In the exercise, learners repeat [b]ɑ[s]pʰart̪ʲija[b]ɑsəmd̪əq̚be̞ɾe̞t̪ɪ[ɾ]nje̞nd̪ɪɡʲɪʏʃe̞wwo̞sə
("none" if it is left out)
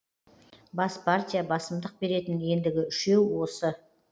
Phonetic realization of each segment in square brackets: b, s, b, none

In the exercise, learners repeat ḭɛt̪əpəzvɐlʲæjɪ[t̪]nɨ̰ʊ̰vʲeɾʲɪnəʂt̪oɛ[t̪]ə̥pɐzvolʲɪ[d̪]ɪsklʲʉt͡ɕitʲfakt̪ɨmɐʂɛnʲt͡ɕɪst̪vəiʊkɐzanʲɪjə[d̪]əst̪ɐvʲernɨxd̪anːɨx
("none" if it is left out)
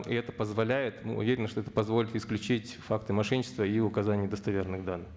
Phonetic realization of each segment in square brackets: t̪, t̪, t̪, d̪

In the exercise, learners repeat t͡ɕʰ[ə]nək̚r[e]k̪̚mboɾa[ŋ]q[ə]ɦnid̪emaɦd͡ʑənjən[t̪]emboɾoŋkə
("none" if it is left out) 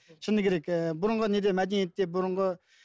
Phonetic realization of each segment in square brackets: ə, e, ŋ, ə, t̪

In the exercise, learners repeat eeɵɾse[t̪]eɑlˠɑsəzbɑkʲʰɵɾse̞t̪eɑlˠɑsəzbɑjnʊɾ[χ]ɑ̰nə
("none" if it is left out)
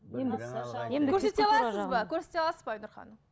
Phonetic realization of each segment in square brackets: t̪, χ

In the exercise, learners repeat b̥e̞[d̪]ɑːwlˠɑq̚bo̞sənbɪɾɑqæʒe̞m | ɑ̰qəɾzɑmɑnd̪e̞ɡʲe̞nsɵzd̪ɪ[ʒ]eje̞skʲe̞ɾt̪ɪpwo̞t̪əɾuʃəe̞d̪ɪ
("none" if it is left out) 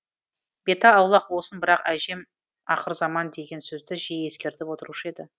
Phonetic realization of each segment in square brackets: t̪, ʒ

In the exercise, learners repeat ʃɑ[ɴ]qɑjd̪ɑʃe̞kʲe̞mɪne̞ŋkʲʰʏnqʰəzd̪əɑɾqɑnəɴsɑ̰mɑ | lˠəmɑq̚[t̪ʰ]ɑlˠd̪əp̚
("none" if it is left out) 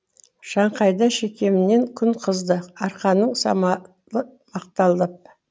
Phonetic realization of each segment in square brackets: ɴ, t̪

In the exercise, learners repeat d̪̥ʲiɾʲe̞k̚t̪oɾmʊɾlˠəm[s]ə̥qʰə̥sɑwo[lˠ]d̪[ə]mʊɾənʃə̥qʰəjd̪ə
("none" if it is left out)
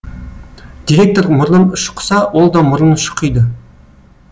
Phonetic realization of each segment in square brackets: ʃ, lˠ, ɑ

